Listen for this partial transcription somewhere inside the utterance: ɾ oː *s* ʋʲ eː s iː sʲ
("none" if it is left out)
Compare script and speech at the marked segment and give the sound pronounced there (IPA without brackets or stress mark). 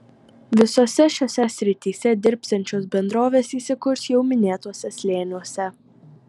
none